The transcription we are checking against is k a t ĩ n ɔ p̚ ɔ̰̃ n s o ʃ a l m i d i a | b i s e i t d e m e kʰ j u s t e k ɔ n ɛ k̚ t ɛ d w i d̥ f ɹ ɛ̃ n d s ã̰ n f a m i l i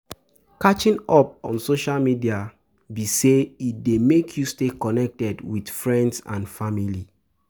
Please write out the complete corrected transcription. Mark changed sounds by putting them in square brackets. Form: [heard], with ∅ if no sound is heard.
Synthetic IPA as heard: k a [t͡ʃ] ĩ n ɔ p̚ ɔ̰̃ n s o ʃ a l m i d i a | b i s e i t d e m e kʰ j u s t e k ɔ n ɛ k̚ t ɛ d w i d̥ f ɹ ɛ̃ n d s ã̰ n f a m i l i